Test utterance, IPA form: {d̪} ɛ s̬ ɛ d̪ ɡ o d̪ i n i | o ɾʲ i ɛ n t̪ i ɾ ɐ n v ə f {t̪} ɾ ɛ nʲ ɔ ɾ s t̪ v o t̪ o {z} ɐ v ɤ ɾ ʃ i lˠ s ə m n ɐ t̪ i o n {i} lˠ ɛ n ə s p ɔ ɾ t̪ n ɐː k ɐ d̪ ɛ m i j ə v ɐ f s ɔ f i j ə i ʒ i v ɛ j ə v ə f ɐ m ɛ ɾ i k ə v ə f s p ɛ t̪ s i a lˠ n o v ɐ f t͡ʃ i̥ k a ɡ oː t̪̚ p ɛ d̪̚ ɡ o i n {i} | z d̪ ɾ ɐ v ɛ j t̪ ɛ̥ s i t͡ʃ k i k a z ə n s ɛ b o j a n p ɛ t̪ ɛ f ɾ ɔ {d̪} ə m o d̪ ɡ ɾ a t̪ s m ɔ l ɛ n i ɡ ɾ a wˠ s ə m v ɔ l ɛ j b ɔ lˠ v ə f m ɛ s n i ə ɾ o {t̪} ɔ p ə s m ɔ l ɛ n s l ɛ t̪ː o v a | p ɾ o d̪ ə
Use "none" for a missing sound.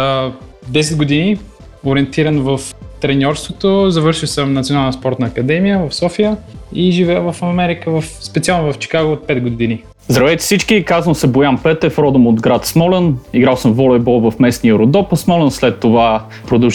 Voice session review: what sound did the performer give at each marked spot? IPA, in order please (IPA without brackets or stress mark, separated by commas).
d̪, t̪, z, a, i, d̪, d̪